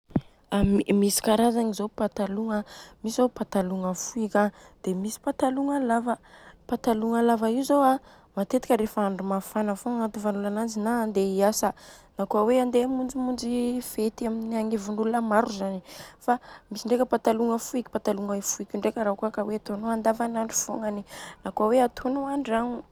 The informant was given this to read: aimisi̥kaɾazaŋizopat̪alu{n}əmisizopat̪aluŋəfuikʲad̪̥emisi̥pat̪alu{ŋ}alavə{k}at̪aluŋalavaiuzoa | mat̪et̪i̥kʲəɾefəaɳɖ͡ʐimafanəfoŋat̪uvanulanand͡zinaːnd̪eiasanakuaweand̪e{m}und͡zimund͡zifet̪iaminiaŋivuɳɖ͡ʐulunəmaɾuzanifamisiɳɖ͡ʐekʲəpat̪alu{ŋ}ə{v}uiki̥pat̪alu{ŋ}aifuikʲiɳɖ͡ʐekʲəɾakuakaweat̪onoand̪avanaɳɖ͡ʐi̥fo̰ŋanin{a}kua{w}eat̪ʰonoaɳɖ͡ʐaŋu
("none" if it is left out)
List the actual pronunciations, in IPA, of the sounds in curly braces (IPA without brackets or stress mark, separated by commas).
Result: ŋ, ŋ, p, m, ŋ, f, ŋ, a, w